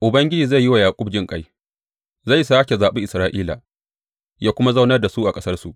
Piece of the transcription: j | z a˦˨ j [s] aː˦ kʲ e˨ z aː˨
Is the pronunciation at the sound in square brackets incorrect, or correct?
correct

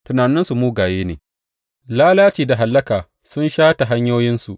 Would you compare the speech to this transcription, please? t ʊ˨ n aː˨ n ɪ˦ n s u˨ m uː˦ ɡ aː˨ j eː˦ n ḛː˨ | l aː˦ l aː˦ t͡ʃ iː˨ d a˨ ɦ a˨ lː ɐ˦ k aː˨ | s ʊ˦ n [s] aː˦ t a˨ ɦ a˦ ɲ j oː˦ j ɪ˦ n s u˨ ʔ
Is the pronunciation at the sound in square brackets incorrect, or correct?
incorrect: ʃ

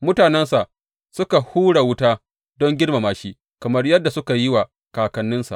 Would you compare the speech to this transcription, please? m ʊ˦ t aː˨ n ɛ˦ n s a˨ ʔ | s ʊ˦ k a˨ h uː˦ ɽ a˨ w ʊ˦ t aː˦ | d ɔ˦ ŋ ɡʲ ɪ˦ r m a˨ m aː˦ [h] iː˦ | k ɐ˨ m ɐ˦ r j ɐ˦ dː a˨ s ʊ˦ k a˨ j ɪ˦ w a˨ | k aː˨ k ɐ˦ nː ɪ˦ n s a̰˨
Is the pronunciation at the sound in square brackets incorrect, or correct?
incorrect: ʃ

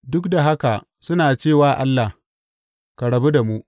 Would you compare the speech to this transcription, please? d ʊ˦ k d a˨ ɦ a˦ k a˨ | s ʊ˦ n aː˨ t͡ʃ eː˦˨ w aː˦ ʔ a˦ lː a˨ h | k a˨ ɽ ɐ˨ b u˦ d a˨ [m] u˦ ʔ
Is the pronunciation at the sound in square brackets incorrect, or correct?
correct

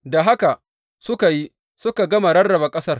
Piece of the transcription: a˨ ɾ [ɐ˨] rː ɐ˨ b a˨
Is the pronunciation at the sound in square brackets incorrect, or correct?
incorrect: ɐ˦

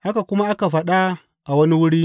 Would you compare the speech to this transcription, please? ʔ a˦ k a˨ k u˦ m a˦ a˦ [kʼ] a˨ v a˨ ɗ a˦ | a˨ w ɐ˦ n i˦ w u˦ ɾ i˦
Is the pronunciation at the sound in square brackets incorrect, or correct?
incorrect: k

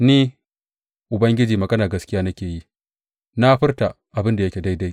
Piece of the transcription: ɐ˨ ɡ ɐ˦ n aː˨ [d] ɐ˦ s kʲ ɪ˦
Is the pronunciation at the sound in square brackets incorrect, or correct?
incorrect: ɡ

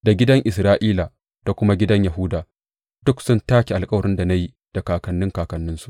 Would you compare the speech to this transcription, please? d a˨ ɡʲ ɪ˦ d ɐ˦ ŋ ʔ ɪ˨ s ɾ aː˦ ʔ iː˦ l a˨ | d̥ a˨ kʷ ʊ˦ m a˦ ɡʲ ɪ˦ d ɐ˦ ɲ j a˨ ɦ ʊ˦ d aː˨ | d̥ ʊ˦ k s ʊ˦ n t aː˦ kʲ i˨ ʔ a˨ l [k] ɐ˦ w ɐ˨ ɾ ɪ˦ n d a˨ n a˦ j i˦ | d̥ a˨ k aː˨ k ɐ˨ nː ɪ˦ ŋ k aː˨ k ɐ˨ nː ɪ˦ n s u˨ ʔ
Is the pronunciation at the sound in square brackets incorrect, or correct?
incorrect: kʼ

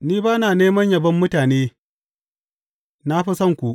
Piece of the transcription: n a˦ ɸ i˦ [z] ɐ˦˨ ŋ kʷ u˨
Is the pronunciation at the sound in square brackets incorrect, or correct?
incorrect: s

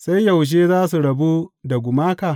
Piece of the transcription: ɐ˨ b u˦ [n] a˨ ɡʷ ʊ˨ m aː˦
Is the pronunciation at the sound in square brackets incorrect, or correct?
incorrect: d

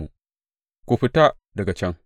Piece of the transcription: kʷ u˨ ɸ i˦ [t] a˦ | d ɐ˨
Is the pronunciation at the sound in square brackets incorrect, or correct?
correct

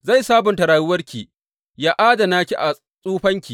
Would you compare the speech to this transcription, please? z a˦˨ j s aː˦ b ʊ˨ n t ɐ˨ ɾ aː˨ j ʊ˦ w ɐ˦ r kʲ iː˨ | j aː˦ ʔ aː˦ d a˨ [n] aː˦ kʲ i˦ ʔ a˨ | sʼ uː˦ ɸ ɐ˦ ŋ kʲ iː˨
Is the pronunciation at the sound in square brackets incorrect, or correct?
correct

